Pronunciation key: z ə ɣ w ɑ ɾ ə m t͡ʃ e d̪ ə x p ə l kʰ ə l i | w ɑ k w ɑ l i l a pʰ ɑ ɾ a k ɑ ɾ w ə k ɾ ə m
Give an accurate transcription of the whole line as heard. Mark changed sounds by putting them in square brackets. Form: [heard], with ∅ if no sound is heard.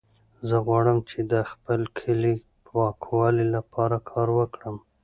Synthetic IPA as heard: z ə ɣ w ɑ [ɽ] ə m t͡ʃ e d̪ ə x p ə l kʰ ə l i | w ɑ k w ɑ l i l a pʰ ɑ ɾ a [kʰ] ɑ ɾ w ə k [ɽ] ə m